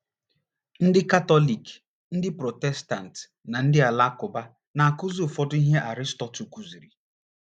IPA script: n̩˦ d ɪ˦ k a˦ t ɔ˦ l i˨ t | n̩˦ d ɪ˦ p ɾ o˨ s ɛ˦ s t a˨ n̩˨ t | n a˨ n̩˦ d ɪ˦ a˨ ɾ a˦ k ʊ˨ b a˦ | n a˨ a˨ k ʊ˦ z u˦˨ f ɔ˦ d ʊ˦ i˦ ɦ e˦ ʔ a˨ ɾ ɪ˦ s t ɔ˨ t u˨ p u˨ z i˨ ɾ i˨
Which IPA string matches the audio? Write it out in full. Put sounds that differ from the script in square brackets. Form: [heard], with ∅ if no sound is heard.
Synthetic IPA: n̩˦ d ɪ˦ k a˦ t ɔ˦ l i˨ [k] | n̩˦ d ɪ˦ p ɾ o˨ [t] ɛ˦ s t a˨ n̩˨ t | n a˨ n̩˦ d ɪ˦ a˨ [l] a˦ k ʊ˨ b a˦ | n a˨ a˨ k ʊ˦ z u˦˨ f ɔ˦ d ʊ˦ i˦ ɦ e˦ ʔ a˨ ɾ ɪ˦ s t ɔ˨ t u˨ [k] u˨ z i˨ ɾ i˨

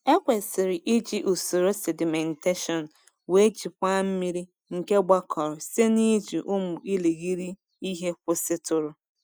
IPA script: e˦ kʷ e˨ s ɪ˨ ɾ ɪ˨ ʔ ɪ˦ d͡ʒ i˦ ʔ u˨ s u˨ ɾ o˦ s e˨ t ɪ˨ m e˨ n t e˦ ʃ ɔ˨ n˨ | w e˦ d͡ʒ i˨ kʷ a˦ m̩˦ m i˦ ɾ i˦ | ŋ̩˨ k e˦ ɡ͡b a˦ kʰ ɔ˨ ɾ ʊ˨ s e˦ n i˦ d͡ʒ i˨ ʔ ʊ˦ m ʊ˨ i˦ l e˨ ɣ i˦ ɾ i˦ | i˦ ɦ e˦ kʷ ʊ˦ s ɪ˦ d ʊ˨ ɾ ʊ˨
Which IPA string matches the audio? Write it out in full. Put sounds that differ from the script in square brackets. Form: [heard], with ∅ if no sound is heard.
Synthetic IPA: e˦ kʷ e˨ s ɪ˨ ɾ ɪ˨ ʔ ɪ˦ d͡ʒ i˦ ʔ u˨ s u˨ ɾ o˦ s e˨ [d] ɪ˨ m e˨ n t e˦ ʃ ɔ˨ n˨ | w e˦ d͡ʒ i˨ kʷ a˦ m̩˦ m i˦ ɾ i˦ | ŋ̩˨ k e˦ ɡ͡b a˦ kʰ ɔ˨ ɾ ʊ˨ s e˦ n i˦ d͡ʒ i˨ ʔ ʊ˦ m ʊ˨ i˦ l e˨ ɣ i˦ ɾ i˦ | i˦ ɦ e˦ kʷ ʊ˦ s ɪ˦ [t] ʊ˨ ɾ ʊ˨

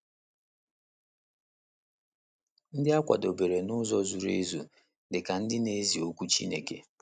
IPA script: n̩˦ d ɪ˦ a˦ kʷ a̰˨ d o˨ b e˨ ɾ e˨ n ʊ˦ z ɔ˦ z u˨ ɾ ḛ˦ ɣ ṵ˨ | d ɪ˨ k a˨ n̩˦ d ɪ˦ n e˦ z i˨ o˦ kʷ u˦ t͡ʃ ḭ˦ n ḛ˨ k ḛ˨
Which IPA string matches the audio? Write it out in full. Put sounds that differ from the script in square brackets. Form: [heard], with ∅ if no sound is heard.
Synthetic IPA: n̩˦ d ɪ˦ a˦ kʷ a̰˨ d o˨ b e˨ ɾ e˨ n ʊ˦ z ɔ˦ z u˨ ɾ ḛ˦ [z] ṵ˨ | d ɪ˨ k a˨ n̩˦ d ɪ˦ n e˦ z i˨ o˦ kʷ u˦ t͡ʃ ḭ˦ n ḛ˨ k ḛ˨

